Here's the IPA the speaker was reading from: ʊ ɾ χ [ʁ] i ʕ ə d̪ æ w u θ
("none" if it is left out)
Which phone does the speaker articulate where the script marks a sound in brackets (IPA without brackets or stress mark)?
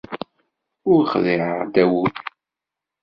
ð